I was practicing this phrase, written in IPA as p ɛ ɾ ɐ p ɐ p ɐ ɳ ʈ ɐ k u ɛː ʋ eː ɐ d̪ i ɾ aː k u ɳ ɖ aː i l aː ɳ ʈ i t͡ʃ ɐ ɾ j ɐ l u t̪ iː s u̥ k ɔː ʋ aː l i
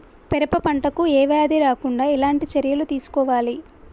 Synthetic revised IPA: p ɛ ɾ ɐ p ɐ p ɐ ɳ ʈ ɐ k u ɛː ʋ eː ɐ d̪ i ɾ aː k u ɳ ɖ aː i l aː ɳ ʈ i t͡ʃ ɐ ɾ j ɐ l u t̪ iː s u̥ k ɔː ʋ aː l i

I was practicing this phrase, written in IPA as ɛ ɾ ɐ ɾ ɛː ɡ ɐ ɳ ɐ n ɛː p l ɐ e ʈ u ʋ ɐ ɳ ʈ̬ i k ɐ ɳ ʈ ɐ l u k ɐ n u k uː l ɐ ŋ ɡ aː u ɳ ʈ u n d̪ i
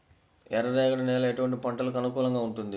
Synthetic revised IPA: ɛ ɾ ɐ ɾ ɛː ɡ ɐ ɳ ɐ n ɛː l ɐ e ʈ u ʋ ɐ ɳ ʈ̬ i p ɐ ɳ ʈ ɐ l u k ɐ n u k uː l ɐ ŋ ɡ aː u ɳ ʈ u n d̪ i

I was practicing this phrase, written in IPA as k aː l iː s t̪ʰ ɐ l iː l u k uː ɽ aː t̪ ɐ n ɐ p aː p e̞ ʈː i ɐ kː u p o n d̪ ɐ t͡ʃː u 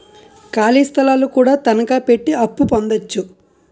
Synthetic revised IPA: k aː l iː s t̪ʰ ɐ l aː l u k uː ɽ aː t̪ ɐ n ɐ k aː p e̞ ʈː i ɐ pː u p o n d̪ ɐ t͡ʃː u

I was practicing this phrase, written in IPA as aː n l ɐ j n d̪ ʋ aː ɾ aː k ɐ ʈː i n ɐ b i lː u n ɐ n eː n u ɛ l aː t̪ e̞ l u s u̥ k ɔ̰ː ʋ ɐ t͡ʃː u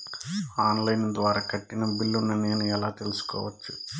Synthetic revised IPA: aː n l ɐ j n d̪ ʋ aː ɾ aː k ɐ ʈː i n ɐ b i lː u n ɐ n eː n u ɛ l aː t̪ e̞ l u s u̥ k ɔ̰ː ʋ ɐ t͡ʃː u

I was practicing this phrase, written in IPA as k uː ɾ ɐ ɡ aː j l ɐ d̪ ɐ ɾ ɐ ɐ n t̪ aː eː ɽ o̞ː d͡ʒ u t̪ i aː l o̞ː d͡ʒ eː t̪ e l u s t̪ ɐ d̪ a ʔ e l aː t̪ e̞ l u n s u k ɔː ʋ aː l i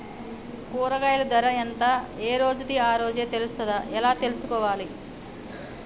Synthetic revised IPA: k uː ɾ ɐ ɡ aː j l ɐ d̪ ɐ ɾ ɐ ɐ n t̪ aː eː ɾ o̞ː d͡ʒ u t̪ i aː ɾ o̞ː d͡ʒ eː t̪ e l u s t̪ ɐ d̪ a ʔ ɛ l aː t̪ e̞ l u s u k ɔː ʋ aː l i

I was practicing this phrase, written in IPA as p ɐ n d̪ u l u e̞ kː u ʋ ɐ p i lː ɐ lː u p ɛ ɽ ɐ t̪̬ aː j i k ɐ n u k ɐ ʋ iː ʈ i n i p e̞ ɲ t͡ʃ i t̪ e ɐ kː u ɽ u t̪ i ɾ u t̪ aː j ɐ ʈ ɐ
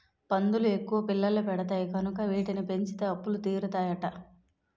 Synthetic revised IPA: p ɐ n d̪ u l u e̞ kː u ʋ ɐ p i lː ɐ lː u p ɛ ɽ ɐ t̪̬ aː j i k ɐ n u k ɐ ʋ iː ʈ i n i p e̞ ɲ t͡ʃ i t̪ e ɐ pː u l u t̪ iː ɾ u t̪ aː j ɐ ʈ ɐ

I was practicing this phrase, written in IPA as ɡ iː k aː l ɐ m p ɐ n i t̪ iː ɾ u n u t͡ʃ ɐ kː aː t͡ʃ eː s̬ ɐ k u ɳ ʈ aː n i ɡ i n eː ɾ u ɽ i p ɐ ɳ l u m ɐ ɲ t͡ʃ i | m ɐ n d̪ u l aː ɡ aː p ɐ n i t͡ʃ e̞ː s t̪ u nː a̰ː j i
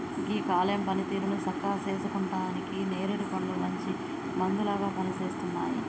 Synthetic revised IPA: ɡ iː k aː l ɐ m p ɐ n i t̪ iː ɾ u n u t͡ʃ ɐ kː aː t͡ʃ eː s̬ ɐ k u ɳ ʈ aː n i k i n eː ɾ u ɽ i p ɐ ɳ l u m ɐ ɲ t͡ʃ i | m ɐ n d̪ u l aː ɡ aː p ɐ n i t͡ʃ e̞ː s t̪ u nː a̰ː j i

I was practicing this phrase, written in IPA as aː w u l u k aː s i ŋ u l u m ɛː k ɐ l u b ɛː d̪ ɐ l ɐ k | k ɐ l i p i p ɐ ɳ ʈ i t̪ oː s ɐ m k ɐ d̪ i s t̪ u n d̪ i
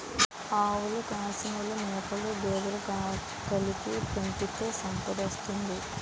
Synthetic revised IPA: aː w u l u k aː s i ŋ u l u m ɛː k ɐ l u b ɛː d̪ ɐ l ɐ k | k ɐ l i p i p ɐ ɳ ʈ i t̪ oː s ɐ m p ɐ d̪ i s t̪ u n d̪ i

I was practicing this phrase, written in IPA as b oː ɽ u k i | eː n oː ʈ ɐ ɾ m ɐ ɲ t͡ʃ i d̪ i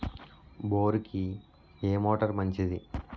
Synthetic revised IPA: b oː ɾ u k i | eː m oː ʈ ɐ ɾ m ɐ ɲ t͡ʃ i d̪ i

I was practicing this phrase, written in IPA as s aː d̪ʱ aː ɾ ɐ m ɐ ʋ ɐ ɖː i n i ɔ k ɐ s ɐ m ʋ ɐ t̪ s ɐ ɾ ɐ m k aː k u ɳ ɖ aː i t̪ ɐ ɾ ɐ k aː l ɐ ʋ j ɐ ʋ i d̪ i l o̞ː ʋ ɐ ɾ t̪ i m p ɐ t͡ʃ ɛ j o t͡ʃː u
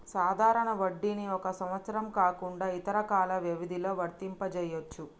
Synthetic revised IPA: s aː d̪ʱ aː ɾ ɐ ɳ ɐ ʋ ɐ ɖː i n i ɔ k ɐ s ɐ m ʋ ɐ t̪ s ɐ ɾ ɐ m k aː k u ɳ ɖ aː i t̪ ɐ ɾ ɐ k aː l ɐ ʋ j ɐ ʋ i d̪ i l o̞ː ʋ ɐ ɾ t̪ i m p ɐ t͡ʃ ɛ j o t͡ʃː u

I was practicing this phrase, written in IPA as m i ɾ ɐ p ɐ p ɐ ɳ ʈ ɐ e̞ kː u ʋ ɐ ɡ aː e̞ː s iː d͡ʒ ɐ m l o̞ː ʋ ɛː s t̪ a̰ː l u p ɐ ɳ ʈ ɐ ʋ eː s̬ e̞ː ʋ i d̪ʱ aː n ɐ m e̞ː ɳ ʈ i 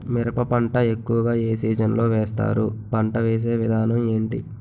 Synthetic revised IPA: m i ɾ ɐ p ɐ p ɐ ɳ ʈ ɐ e̞ kː u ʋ ɐ ɡ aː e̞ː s iː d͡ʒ ɐ n l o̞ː ʋ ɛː s t̪ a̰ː ɾ u p ɐ ɳ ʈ ɐ ʋ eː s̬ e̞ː ʋ i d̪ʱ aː n ɐ m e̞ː ɳ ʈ i

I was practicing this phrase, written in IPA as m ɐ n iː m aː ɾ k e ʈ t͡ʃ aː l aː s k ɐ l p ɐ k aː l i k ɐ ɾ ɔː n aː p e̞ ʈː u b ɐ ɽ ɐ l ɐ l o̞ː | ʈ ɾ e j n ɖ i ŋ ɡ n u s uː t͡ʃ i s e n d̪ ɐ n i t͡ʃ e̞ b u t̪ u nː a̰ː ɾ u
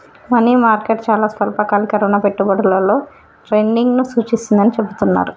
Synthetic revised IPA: m ɐ n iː m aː ɾ k e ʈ t͡ʃ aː l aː s p ɐ l p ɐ k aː l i k ɐ ɾ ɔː n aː p e̞ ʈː u b ɐ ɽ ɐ l ɐ l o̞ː | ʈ ɾ e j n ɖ i ŋ ɡ n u s uː t͡ʃ i s i n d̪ ɐ n i t͡ʃ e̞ b u t̪ u nː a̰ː ɾ u

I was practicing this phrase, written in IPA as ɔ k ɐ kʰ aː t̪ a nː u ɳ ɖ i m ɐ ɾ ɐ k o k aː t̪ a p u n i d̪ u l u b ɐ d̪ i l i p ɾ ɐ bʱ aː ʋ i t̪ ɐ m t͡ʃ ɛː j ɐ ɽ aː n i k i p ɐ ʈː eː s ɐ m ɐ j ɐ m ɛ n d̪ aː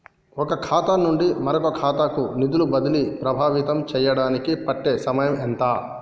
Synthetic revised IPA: ɔ k ɐ kʰ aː t̪ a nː u ɳ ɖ i m ɐ ɾ ɐ k o kʰ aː t̪ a k u n i d̪ u l u b ɐ d̪ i l i p ɾ ɐ bʱ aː ʋ i t̪ ɐ m t͡ʃ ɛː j ɐ ɽ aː n i k i p ɐ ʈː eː s ɐ m ɐ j ɐ m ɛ n t̪ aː

